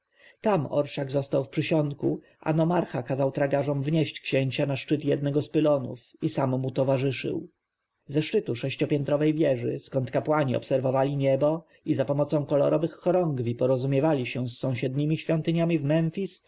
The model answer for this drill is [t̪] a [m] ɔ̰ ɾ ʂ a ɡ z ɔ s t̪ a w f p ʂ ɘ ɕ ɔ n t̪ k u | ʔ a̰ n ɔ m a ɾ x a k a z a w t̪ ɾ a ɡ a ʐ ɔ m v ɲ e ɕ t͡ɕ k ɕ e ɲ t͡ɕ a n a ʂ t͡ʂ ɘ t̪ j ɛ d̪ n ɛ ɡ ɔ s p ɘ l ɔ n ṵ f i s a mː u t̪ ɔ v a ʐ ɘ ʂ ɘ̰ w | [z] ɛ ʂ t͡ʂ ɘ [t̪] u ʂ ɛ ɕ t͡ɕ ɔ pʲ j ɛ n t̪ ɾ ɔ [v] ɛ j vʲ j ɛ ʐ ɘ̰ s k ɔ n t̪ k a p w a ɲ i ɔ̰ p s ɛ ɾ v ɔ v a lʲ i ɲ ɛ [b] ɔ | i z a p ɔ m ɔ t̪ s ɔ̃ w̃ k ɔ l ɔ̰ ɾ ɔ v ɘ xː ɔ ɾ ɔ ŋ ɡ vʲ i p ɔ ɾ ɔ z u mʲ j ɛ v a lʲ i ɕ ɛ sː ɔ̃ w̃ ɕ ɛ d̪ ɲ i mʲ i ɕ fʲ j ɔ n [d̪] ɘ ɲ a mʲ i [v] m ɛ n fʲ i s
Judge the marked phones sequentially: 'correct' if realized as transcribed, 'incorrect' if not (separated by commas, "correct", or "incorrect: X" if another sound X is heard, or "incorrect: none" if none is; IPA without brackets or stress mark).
correct, correct, correct, correct, correct, correct, incorrect: t̪, correct